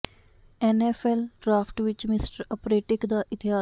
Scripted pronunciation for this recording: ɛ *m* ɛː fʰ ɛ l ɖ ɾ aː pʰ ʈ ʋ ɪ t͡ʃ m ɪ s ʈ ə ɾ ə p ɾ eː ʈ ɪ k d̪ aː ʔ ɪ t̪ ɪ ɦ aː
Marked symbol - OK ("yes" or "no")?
no